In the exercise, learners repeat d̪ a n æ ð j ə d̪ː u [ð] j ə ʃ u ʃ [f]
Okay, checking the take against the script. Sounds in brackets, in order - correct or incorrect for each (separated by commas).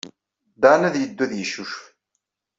correct, correct